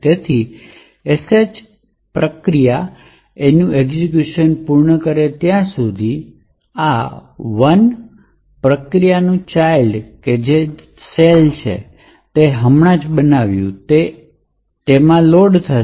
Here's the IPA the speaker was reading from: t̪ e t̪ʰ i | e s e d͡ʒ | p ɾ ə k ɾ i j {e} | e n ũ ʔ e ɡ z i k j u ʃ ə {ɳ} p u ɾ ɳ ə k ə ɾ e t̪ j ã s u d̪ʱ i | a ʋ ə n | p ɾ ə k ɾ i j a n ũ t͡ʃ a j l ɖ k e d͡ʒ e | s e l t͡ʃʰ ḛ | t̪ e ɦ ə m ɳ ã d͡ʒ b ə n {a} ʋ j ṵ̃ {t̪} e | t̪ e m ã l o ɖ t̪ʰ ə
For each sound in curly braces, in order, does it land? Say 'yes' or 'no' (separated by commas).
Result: no, no, yes, yes